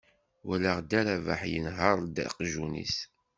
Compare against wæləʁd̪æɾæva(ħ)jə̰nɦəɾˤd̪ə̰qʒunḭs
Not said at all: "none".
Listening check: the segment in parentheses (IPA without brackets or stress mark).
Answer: ħ